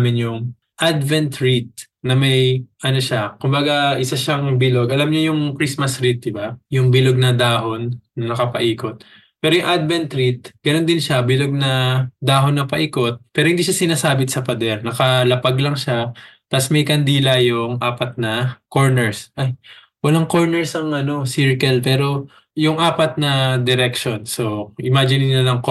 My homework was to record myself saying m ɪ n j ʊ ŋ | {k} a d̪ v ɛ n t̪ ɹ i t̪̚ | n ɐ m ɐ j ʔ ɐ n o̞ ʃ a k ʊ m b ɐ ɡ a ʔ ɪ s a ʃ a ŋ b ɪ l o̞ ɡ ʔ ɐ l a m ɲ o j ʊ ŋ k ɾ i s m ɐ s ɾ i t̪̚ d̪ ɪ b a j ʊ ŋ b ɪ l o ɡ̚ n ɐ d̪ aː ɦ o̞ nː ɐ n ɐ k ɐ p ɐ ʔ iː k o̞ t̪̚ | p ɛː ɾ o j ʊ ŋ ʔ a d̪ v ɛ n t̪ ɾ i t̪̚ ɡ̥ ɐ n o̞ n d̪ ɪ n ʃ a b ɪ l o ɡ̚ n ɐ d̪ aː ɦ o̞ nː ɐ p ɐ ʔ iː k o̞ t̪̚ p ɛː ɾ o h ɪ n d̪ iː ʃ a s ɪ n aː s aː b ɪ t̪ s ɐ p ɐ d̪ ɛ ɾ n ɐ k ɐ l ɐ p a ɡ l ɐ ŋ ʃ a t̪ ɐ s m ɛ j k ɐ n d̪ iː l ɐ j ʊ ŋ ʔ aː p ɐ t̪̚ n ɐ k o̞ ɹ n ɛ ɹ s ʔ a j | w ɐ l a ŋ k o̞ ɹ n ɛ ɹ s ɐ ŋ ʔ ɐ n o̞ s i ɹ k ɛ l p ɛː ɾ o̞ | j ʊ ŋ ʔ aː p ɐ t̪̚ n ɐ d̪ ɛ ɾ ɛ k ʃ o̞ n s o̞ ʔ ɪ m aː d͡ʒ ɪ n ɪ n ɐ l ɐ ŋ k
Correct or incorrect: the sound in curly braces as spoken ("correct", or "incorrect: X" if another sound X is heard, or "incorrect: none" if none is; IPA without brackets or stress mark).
incorrect: ʔ